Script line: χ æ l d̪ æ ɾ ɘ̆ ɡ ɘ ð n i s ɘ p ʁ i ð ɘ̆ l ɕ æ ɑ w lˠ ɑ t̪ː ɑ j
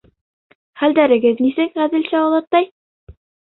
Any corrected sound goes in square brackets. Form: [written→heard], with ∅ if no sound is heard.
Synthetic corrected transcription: χ æ l d̪ æ ɾ ɘ̆ ɡ ɘ ð n i s ɘ [p→k] ʁ [i→æ] ð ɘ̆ l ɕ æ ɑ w lˠ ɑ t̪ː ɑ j